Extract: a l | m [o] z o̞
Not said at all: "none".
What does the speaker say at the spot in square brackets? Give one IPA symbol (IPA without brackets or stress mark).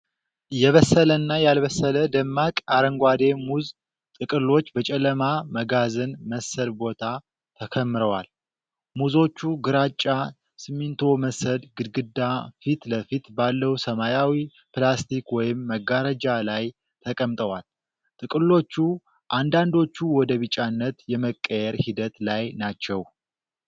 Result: u